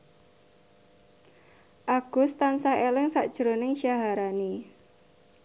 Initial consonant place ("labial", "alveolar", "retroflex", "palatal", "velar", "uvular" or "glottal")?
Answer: glottal